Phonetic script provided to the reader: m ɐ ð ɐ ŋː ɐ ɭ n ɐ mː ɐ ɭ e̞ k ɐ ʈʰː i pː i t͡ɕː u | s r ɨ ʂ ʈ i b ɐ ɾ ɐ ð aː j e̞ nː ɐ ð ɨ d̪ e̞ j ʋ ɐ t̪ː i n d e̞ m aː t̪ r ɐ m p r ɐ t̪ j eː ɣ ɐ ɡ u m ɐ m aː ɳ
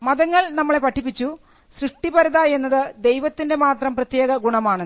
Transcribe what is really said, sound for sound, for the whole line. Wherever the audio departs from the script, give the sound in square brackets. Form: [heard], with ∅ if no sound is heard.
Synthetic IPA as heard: m ɐ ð ɐ ŋː ɐ ɭ n ɐ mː ɐ ɭ e̞ [p] ɐ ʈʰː i pː i t͡ɕː u | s r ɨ ʂ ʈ i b ɐ ɾ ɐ ð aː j e̞ nː ɐ ð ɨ d̪ e̞ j ʋ ɐ t̪ː i n d e̞ m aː t̪ r ɐ m p r ɐ t̪ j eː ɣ ɐ ɡ u [ɳ] ɐ m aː ɳ